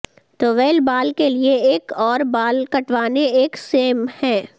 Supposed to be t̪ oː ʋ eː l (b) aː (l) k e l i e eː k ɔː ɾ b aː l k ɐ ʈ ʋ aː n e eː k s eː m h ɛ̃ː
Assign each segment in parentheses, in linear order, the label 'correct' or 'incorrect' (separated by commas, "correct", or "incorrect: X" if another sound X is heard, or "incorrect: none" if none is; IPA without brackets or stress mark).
correct, correct